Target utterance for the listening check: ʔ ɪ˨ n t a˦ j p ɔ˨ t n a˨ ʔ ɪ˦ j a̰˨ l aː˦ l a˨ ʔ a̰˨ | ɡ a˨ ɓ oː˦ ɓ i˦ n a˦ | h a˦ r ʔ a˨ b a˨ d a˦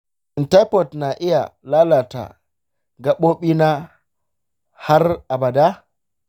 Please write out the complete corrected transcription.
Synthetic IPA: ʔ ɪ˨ n t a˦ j p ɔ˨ t n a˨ ʔ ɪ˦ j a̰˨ l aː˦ l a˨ t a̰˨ | ɡ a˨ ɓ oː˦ ɓ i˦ n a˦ | h a˦ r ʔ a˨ b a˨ d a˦

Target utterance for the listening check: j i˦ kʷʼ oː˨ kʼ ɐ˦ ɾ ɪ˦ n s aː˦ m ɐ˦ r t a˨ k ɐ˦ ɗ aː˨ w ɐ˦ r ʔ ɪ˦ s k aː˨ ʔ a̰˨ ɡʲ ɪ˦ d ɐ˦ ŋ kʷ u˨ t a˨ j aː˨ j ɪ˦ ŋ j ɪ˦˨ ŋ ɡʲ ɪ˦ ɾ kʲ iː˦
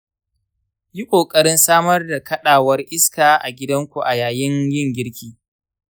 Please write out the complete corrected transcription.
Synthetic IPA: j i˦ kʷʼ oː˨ kʼ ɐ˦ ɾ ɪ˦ n s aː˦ m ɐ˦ r d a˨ k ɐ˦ ɗ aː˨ w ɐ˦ r ʔ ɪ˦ s k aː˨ ʔ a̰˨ ɡʲ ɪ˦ d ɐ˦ ŋ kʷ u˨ ʔ a˨ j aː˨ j ɪ˦ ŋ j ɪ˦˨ ŋ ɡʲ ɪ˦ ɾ kʲ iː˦

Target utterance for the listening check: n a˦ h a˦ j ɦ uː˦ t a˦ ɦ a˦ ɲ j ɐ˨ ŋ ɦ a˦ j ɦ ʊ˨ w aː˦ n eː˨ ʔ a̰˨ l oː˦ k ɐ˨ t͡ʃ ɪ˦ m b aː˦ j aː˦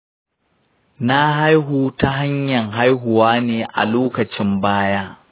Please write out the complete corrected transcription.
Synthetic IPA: n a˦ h a˦ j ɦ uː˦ t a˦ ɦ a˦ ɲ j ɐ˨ ŋ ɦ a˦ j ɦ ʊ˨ w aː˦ n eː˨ ʔ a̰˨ l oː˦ k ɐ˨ t͡ʃ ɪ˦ m b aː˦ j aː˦

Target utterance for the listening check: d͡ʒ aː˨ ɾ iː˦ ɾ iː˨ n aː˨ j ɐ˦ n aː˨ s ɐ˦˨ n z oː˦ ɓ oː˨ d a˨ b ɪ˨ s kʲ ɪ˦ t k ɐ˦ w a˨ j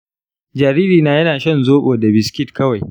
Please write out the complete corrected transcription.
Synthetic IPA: d͡ʒ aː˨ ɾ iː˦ ɾ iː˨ n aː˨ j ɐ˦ n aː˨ ʃ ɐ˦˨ n z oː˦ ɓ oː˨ d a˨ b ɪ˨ s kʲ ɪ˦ t k ɐ˦ w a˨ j

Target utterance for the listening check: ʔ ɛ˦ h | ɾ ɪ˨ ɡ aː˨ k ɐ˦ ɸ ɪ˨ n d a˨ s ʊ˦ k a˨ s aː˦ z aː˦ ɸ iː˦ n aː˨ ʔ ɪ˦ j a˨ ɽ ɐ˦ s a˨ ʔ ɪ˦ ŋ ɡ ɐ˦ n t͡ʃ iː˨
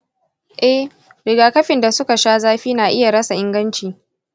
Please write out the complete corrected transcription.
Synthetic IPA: ʔ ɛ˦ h | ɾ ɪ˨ ɡ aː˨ k ɐ˦ ɸ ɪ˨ n d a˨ s ʊ˦ k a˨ ʃ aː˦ z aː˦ ɸ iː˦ n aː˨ ʔ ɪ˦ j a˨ ɽ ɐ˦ s a˨ ʔ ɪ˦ ŋ ɡ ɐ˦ n t͡ʃ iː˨

